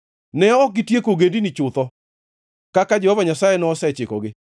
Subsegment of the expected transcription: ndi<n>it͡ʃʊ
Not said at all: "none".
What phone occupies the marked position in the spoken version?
n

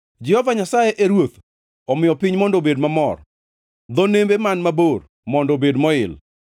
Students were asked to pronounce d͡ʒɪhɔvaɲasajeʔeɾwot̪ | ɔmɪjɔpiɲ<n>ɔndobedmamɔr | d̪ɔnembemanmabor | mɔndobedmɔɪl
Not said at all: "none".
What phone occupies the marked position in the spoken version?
m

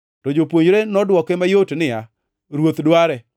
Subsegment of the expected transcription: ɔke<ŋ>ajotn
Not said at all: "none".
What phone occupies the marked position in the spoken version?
m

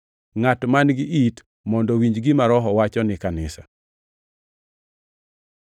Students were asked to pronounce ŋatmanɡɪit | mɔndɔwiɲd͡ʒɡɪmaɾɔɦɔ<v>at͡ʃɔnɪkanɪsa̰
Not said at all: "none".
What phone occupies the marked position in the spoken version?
w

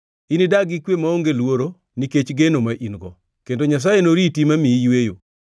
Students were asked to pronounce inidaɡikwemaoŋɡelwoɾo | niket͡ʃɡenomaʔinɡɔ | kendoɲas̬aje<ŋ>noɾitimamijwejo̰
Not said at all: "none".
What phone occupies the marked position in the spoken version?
none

